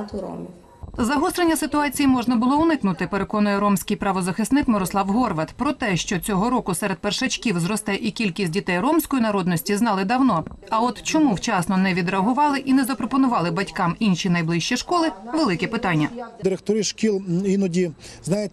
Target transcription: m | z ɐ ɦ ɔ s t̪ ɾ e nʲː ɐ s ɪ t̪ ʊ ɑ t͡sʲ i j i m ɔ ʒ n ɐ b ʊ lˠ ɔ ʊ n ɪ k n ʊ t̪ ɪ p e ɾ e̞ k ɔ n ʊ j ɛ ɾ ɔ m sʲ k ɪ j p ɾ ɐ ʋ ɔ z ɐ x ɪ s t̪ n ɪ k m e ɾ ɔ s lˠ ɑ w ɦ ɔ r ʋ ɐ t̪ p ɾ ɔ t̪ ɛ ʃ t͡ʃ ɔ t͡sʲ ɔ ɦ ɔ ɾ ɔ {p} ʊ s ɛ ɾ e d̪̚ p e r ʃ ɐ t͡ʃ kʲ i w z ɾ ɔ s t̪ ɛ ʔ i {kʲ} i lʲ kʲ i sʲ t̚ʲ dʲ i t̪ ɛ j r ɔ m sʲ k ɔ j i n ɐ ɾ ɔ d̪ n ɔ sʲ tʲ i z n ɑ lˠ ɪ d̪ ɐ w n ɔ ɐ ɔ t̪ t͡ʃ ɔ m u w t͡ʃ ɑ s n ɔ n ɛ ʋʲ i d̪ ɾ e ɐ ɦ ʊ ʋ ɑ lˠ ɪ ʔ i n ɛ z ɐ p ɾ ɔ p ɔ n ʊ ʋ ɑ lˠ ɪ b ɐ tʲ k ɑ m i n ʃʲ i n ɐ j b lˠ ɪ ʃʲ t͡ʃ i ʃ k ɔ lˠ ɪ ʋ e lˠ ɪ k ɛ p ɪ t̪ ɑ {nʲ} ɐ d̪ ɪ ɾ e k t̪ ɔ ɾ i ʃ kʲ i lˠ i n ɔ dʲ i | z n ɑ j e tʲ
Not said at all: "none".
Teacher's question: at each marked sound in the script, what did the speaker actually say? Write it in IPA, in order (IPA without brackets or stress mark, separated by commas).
k, kʲ, nʲː